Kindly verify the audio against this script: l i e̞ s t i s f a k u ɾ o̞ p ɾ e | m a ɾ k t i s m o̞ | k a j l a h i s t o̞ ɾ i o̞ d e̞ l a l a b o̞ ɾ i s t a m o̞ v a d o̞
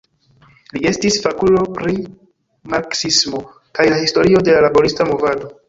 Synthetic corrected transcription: l i e̞ s t i s f a k u l o̞ p ɾ i | m a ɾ k s i s m o̞ | k a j l a h i s t o̞ ɾ i o̞ d e̞ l a l a b o̞ ɾ i s t a m o̞ v a d o̞